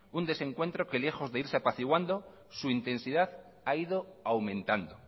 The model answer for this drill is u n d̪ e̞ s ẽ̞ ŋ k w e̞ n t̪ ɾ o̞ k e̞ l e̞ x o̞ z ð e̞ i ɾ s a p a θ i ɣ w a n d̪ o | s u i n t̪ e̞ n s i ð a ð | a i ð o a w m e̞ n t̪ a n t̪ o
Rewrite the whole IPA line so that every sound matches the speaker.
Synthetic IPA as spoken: u n d̪ e̞ s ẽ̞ ŋ k w e̞ n t̪ ɾ o̞ k e̞ l e̞ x o̞ z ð e̞ i ɾ s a p a θ i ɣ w a n d̪ o | s u i n t̪ e̞ n s i ð a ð | a i ð o a w m ẽ̞ n t̪ a n d̪ o